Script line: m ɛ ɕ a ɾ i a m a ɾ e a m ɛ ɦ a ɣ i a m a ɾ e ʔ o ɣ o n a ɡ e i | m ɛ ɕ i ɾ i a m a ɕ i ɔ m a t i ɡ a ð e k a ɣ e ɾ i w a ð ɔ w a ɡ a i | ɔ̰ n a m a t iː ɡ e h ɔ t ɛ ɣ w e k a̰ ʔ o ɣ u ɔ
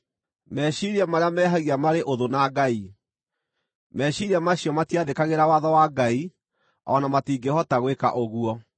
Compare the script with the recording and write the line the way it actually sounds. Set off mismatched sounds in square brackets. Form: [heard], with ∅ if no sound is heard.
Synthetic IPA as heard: m ɛ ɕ [i] ɾ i a m a ɾ e a m ɛ ɦ a ɣ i a m a ɾ e ʔ o [ð] o n a ɡ [a] i | m ɛ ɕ i ɾ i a m a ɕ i ɔ m a t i [∅] a ð e k a ɣ e ɾ [a] w a ð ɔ w a ɡ a i | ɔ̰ n a m a t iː ɡ e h ɔ t [a] ɣ w e k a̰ ʔ o ɣ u ɔ